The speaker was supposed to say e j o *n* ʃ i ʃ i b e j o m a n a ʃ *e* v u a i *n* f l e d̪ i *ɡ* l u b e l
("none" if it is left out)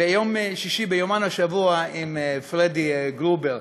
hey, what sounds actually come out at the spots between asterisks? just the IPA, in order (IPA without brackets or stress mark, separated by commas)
m, a, m, ɡ